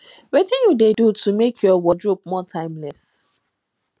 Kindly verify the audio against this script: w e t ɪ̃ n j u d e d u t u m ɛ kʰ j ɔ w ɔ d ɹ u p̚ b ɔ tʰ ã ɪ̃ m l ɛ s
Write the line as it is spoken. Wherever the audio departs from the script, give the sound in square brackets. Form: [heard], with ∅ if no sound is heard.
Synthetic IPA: w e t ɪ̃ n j u d e d u t u m [e] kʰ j ɔ w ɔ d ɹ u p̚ [m] ɔ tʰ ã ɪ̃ m l ɛ s